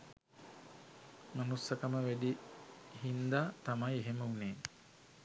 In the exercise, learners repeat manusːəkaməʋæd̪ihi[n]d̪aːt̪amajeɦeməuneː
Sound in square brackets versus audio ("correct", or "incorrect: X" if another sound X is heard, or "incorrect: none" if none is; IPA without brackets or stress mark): correct